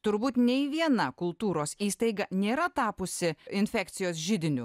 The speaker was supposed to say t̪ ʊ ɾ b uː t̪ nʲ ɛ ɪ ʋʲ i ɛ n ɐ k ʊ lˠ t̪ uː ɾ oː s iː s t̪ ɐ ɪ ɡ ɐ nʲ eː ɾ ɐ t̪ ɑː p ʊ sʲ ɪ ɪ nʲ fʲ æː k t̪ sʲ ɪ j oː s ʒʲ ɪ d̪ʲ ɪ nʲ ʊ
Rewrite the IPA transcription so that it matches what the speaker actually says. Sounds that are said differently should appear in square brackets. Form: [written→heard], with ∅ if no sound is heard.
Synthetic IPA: t̪ ʊ ɾ b uː t̪ nʲ ɛ ɪ ʋʲ i ɛ n ɐ k ʊ lˠ t̪ uː ɾ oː s iː s t̪ ɐ ɪ ɡ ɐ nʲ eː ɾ ɐ t̪ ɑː p ʊ sʲ ɪ ɪ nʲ fʲ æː k t̪ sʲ ɪ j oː s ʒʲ ɪ d̪ʲ ɪ nʲ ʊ

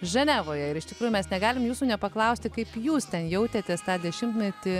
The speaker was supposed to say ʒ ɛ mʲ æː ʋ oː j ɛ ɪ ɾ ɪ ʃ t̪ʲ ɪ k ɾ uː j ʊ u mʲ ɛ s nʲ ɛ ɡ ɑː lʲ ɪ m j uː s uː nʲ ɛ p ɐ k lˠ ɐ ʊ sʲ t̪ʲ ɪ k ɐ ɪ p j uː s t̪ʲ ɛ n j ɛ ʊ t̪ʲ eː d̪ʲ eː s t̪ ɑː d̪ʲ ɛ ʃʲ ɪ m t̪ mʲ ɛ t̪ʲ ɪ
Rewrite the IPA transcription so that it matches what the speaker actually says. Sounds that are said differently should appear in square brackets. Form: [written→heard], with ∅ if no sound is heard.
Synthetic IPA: ʒ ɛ [mʲ→nʲ] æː ʋ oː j ɛ ɪ ɾ ɪ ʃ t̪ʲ ɪ k ɾ uː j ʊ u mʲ ɛ s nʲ ɛ ɡ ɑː lʲ ɪ m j uː s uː nʲ ɛ p ɐ k lˠ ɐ ʊ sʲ t̪ʲ ɪ k ɐ ɪ p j uː s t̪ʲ ɛ n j ɛ ʊ t̪ʲ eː [d̪ʲ→t̪ʲ] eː s t̪ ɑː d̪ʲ ɛ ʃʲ ɪ m t̪ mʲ ɛ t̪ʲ ɪ

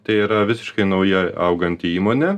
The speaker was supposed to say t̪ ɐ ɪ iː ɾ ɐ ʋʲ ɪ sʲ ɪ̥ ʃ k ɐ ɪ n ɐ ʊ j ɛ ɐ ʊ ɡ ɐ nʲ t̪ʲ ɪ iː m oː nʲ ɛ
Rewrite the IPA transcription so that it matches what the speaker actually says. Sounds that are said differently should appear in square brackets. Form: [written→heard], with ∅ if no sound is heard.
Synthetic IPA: t̪ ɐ ɪ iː ɾ ɐ ʋʲ ɪ sʲ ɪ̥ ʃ k ɐ ɪ n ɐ ʊ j ɛ ɐ ʊ ɡ ɐ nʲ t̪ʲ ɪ iː m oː nʲ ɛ

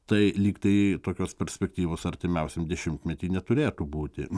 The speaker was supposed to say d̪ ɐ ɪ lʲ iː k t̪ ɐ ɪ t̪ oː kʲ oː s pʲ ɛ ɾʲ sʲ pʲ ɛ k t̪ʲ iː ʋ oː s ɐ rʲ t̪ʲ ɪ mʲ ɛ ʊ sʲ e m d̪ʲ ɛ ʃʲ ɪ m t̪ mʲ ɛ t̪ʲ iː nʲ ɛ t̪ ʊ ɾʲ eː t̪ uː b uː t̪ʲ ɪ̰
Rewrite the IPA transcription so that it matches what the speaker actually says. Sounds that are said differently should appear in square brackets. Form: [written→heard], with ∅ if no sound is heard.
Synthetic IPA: [d̪→t̪] ɐ ɪ lʲ iː k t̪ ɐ ɪ t̪ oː kʲ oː s pʲ ɛ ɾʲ sʲ pʲ ɛ k t̪ʲ iː ʋ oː s ɐ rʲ t̪ʲ ɪ mʲ ɛ ʊ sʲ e m d̪ʲ ɛ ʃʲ ɪ m t̪ mʲ ɛ t̪ʲ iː nʲ ɛ t̪ ʊ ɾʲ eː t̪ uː b uː t̪ʲ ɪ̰

